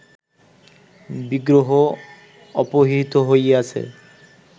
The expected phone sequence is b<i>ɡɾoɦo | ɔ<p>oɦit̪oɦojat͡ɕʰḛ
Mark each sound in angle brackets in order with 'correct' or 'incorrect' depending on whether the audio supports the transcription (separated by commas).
correct, correct